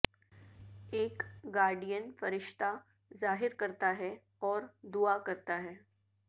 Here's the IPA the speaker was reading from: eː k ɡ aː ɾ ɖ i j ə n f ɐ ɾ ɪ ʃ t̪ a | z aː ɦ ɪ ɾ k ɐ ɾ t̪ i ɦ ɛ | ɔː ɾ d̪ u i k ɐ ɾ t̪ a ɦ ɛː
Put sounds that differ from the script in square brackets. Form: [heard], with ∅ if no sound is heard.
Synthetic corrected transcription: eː k ɡ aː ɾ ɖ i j ə n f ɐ ɾ ɪ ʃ t̪ a | z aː ɦ ɪ ɾ k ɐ ɾ t̪ [a] ɦ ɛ | ɔː ɾ d̪ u [a] k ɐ ɾ t̪ a ɦ ɛː